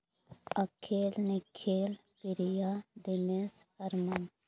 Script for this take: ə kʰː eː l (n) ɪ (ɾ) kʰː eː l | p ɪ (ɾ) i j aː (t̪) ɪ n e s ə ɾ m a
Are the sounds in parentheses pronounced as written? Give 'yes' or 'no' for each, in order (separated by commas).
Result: yes, no, yes, no